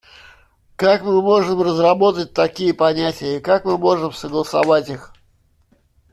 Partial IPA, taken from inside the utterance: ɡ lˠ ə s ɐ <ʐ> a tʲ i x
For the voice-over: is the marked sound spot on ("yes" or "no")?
no